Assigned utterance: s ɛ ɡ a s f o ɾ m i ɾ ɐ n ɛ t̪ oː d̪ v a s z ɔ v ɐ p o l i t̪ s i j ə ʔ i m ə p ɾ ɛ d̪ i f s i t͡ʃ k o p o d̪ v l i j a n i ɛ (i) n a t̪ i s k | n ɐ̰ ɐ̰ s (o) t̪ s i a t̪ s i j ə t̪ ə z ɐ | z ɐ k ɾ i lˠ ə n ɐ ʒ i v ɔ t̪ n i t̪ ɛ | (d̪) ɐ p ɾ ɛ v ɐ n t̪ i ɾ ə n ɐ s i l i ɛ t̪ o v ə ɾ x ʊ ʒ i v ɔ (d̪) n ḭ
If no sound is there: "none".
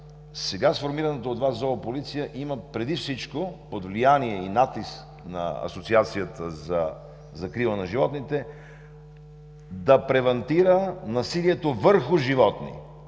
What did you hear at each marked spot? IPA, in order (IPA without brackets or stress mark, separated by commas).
i, o, d̪, t̪